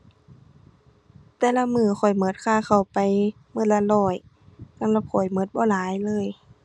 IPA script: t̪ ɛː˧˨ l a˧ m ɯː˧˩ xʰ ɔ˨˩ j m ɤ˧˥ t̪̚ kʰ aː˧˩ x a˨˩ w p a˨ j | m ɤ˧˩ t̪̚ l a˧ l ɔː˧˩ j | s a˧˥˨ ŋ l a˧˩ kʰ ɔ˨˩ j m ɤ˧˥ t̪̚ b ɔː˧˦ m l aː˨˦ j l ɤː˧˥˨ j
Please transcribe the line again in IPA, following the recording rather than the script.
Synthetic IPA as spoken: t̪ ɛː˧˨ l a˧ m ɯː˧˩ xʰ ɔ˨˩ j m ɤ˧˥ t̪̚ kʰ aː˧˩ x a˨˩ w p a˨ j | m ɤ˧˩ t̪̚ l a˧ l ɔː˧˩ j | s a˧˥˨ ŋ l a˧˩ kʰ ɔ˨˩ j m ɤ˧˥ t̪̚ b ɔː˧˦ l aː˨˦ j l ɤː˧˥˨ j

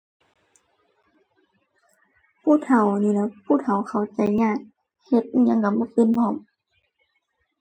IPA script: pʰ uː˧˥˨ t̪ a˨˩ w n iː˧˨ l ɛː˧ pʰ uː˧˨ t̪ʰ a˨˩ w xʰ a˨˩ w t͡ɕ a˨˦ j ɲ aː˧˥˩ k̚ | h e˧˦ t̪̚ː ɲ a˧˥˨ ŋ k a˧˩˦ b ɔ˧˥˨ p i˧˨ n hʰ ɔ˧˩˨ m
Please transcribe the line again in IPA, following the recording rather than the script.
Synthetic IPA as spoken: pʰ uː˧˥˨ t̪ʰ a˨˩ w n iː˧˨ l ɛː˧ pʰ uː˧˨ t̪ʰ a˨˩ w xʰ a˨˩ w t͡ɕ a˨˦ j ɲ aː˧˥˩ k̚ | h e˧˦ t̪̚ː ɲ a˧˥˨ ŋ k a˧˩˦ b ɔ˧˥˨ p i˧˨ n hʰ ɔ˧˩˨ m

